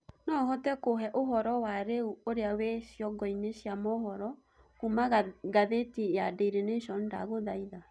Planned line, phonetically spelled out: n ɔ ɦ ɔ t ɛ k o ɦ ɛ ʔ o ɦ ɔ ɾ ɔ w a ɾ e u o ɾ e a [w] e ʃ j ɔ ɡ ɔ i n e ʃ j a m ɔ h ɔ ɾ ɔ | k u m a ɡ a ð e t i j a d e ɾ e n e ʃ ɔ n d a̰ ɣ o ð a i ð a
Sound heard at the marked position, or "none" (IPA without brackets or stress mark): w